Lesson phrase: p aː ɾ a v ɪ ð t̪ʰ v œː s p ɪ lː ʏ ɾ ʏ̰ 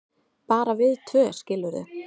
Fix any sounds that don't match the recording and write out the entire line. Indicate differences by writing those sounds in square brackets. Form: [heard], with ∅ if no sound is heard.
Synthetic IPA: p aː ɾ a v ɪ ð t̪ʰ v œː s [c] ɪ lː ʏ ɾ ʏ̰